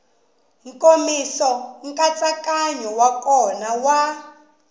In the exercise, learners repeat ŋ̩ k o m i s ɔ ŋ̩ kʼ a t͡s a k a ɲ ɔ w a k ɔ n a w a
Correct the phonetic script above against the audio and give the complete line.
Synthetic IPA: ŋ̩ k o m i s ɔ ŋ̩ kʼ a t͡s a k a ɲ ɔ w a k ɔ n a w a